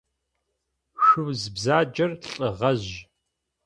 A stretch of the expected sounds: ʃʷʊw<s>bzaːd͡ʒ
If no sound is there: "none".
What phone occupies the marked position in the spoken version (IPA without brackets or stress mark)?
z